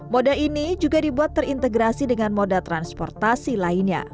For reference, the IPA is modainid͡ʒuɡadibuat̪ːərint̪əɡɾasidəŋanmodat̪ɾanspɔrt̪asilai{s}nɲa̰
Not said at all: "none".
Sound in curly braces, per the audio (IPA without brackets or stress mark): none